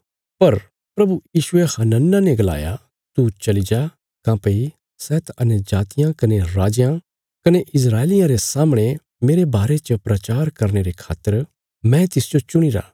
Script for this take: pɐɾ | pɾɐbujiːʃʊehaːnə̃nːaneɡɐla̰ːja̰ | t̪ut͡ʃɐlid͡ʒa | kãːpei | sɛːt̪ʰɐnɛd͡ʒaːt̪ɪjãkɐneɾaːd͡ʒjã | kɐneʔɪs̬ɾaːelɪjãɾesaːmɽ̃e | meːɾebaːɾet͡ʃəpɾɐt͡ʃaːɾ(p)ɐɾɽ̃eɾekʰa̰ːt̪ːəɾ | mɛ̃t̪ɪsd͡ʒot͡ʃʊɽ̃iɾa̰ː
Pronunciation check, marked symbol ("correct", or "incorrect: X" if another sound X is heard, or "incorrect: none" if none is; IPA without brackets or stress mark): incorrect: k